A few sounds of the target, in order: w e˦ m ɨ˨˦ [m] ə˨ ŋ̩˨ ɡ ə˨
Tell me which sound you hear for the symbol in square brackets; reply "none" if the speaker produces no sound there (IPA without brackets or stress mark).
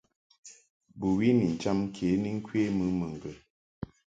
m